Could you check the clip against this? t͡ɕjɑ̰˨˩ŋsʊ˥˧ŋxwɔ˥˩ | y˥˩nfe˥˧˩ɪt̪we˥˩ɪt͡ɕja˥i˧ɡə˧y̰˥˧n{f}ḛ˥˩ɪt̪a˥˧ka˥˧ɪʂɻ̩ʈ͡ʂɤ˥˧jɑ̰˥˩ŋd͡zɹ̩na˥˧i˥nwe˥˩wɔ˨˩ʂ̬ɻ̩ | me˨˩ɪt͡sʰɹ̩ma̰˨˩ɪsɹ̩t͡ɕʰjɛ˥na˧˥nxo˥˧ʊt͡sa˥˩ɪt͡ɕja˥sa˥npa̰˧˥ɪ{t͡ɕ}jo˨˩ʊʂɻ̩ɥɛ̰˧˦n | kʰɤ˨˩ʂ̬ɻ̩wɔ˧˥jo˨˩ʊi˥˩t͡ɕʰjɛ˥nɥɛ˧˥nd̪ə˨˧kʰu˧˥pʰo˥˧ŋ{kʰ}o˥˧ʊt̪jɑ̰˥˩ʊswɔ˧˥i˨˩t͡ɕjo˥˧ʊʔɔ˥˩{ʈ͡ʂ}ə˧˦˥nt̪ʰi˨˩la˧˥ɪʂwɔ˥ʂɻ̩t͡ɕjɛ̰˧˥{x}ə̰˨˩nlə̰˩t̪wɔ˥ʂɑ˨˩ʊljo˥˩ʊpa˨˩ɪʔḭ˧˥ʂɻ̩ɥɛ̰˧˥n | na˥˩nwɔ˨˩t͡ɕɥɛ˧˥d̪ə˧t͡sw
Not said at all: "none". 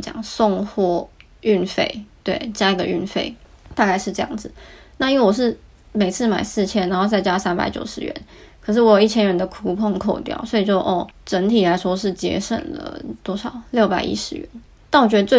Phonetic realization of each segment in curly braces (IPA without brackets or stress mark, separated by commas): f, t͡ɕ, kʰ, ʈ͡ʂ, ʂ